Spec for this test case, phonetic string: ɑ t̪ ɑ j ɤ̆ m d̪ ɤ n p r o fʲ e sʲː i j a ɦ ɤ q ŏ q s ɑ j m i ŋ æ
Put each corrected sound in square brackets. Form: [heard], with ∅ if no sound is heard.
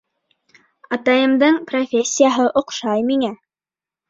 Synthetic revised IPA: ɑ t̪ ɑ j ɤ̆ m d̪ ɤ [ɴ] p r o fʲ e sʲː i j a ɦ ɤ [ʔ] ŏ q [ʃ] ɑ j m i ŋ æ